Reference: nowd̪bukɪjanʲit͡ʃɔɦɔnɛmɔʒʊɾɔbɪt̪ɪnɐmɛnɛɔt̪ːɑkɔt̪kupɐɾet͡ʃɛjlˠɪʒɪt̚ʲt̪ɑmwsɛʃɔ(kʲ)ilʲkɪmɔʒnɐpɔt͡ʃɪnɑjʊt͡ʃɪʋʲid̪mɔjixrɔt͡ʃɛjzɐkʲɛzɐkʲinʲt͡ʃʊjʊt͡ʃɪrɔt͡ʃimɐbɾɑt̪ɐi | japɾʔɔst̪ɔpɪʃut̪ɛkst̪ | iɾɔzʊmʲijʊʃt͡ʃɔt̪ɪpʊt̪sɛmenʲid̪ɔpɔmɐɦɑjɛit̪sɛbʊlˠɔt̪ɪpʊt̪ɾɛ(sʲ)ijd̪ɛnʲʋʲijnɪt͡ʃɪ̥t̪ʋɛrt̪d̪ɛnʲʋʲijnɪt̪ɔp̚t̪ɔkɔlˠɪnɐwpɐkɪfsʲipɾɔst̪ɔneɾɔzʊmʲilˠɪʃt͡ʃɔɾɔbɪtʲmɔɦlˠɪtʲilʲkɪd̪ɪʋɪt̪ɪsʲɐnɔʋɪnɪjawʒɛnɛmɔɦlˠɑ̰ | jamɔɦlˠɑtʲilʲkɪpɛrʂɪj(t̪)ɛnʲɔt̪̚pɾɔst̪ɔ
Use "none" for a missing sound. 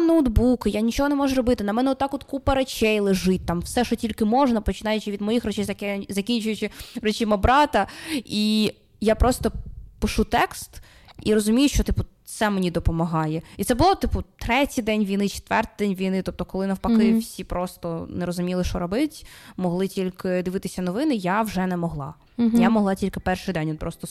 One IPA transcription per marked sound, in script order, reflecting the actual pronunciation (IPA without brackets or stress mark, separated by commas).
tʲ, tʲ, d̪